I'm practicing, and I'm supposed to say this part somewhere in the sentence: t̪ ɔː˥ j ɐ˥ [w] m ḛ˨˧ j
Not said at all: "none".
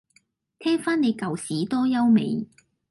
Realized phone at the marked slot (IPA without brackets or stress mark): w